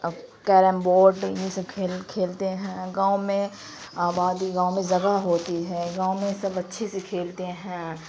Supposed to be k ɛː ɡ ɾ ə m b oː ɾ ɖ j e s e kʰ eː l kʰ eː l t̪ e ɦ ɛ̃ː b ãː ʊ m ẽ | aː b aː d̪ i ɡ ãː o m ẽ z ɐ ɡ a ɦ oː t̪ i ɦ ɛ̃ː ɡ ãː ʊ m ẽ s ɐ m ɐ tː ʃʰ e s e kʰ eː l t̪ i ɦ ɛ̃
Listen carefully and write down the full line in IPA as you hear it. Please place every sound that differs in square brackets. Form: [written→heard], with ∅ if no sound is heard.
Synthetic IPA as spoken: k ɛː [ɡ→∅] ɾ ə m b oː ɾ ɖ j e s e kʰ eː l kʰ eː l t̪ e ɦ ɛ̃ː [b→ɡ] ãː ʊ m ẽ | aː b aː d̪ i ɡ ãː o m ẽ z ɐ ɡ a ɦ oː t̪ i ɦ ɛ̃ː ɡ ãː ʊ m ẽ s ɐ [m→b] ɐ tː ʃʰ e s e kʰ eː l t̪ [i→e] ɦ ɛ̃